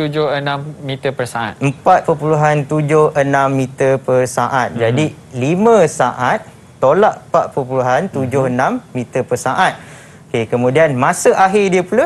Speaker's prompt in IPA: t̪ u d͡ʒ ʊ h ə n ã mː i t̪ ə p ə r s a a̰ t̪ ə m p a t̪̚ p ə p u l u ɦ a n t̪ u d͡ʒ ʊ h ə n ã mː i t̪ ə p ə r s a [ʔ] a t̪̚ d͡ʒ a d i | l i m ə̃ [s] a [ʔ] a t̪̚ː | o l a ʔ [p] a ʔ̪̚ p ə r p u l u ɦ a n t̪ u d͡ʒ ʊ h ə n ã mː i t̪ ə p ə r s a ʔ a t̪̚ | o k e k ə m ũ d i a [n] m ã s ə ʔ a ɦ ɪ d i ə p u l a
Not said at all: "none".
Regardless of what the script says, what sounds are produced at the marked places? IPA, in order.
ʔ, s, ʔ, p, n

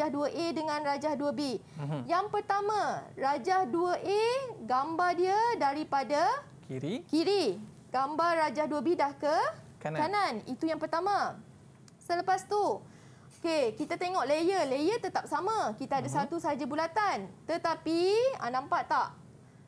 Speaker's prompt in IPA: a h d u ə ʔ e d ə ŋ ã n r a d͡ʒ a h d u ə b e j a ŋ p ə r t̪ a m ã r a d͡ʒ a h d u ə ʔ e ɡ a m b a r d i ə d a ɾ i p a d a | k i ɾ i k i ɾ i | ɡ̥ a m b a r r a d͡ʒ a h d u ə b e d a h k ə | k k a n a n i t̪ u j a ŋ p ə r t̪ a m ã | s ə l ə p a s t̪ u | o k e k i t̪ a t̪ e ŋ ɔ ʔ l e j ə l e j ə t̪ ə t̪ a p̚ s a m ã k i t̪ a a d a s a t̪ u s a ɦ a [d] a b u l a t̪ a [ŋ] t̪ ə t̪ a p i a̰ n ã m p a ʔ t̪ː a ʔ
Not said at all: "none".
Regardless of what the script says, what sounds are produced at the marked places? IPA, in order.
d͡ʒ, n

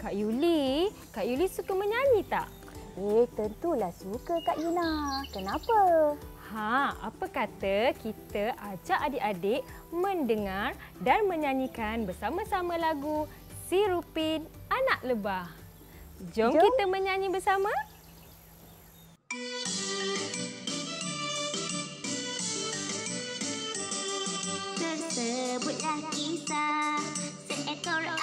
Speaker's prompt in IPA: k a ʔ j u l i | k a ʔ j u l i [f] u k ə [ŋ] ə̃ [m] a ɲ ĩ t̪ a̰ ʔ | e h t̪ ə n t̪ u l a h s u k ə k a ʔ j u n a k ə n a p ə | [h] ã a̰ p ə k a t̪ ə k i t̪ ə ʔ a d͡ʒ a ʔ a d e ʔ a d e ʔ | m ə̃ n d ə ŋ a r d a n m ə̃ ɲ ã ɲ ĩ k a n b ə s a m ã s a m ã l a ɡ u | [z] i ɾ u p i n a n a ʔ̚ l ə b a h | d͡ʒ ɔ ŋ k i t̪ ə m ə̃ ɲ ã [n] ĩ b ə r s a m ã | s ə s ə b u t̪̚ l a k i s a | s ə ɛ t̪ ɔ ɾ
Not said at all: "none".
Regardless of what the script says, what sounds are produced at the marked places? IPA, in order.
s, m, ɲ, h, s, ɲ

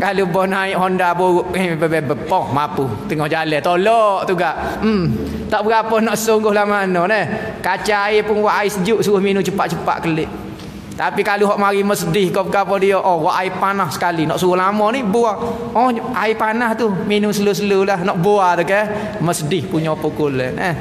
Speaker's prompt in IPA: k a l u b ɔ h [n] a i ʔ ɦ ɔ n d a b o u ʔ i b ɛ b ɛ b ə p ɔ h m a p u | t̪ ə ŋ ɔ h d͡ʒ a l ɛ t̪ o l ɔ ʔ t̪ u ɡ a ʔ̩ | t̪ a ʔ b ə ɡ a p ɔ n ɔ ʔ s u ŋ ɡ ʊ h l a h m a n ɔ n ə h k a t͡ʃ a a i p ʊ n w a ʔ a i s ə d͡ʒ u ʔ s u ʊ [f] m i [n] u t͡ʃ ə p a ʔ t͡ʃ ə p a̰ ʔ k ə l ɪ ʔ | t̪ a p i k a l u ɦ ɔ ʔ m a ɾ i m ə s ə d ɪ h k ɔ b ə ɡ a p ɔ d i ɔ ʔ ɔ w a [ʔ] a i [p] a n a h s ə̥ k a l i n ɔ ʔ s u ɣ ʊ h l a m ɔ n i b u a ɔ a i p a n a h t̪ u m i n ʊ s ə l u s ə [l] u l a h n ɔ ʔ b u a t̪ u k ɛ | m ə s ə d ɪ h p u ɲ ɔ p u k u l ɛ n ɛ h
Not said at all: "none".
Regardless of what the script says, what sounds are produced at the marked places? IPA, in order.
n, h, n, ʔ, p, l

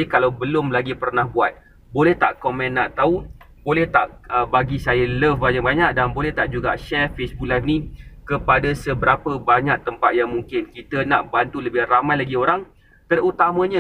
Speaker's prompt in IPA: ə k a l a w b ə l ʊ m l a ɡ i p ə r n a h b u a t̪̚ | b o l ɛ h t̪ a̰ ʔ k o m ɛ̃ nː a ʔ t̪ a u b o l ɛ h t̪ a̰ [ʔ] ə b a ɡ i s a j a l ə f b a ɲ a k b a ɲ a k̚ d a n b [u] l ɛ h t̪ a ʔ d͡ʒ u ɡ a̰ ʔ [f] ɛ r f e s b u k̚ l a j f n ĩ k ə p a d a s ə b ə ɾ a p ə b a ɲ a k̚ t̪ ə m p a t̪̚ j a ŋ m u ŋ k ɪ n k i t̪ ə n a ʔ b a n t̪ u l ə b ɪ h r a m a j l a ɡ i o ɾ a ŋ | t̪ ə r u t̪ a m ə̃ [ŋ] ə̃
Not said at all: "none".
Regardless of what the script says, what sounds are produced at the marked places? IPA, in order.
ʔ, o, ʃ, ɲ

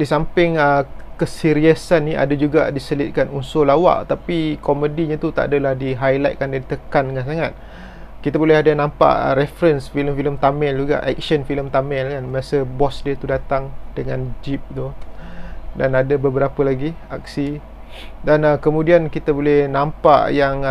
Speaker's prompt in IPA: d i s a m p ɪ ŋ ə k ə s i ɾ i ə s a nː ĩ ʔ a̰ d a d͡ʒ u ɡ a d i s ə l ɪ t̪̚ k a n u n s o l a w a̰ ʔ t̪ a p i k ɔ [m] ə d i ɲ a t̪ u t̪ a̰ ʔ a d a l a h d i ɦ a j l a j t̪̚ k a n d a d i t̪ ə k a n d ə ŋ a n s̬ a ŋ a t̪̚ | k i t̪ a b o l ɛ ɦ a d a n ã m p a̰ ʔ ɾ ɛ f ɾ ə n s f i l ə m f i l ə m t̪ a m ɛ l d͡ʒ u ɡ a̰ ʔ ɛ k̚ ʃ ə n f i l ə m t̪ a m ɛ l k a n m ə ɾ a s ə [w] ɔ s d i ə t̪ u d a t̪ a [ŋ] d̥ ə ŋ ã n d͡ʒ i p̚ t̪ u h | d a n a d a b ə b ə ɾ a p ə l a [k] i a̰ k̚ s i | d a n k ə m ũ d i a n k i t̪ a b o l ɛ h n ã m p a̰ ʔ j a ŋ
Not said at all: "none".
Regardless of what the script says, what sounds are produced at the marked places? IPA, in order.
m, b, ŋ, ɡ

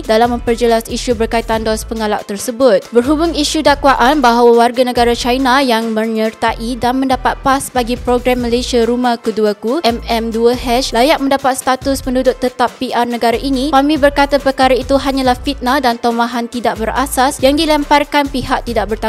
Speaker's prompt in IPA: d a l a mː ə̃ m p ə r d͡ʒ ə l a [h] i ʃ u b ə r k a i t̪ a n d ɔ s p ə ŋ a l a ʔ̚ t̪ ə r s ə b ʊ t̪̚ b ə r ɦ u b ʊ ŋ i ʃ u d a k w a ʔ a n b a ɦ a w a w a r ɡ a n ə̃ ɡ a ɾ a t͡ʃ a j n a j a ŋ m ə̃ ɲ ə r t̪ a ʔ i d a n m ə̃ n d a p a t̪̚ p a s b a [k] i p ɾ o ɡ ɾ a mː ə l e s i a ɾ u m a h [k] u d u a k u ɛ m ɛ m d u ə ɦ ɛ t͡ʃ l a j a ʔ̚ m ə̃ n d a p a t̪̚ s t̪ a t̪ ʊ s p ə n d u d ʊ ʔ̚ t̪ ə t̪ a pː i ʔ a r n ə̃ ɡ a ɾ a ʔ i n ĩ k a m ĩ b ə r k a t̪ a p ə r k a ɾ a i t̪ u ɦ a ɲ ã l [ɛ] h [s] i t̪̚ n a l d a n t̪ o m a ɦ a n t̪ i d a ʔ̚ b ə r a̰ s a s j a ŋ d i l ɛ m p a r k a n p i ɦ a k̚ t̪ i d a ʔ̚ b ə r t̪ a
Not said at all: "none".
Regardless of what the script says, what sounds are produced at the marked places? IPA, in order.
s, ɡ, k, a, f

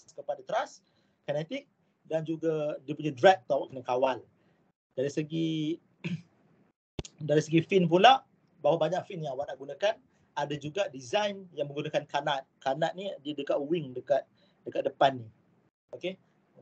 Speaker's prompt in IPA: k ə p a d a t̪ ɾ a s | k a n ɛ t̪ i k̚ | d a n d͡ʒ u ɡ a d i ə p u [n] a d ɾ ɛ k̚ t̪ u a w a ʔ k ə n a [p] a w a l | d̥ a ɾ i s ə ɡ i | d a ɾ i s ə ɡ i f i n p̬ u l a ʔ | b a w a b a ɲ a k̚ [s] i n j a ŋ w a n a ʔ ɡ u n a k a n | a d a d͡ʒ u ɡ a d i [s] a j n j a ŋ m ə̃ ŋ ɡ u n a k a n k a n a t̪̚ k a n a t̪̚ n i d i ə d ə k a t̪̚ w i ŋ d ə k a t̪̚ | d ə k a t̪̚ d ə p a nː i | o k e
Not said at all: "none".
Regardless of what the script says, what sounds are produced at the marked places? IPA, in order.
ɲ, k, f, z

